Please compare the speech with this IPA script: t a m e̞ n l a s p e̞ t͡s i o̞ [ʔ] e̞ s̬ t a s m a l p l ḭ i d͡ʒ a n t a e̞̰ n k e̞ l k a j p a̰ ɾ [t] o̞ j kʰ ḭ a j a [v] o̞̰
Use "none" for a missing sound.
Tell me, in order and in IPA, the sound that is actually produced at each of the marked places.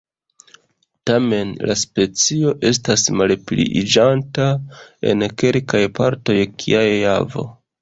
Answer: ʔ, t, v

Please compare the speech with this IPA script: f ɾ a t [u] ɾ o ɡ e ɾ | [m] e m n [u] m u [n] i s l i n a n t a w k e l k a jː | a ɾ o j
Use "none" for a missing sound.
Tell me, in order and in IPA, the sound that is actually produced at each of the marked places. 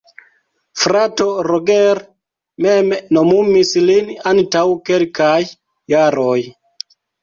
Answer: o, m, o, m

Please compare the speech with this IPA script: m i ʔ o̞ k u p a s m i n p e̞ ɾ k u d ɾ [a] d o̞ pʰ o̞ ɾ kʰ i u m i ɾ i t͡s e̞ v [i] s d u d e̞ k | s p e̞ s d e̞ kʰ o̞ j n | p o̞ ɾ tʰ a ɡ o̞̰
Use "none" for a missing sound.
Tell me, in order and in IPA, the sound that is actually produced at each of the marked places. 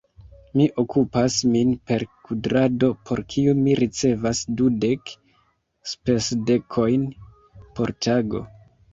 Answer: a, a

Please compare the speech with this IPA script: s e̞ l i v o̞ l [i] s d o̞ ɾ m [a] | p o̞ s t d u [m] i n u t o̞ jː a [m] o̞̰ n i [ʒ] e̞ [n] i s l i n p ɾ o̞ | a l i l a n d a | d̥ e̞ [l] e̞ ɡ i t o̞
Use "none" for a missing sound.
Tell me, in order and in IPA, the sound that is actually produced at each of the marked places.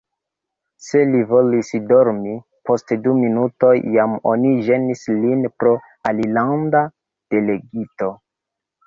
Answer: i, i, m, m, ʒ, n, l

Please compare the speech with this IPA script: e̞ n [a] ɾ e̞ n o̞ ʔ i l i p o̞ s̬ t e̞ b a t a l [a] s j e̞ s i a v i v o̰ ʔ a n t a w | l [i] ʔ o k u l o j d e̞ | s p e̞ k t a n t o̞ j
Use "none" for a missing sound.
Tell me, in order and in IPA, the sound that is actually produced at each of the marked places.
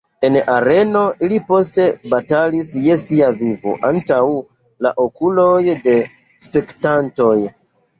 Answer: a, i, a

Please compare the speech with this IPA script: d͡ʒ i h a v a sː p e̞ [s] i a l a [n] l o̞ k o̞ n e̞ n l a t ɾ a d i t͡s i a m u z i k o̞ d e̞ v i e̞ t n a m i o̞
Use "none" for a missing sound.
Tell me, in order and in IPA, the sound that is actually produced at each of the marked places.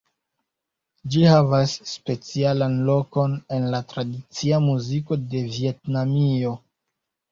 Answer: t͡s, n

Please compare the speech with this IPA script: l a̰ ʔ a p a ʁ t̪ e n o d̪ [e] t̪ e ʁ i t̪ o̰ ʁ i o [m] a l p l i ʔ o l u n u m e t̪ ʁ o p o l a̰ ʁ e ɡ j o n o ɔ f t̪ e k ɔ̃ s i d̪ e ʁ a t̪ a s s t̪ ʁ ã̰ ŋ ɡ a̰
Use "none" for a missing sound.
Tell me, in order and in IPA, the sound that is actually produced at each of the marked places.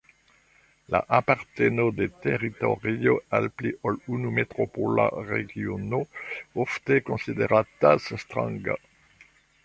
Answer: e, none

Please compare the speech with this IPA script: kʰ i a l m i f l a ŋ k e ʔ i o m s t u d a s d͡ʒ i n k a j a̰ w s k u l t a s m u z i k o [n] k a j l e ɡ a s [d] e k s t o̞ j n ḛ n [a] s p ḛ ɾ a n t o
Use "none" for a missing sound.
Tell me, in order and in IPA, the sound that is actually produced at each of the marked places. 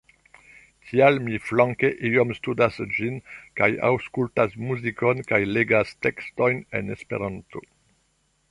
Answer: n, t, e

